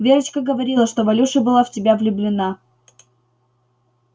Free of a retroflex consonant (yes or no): no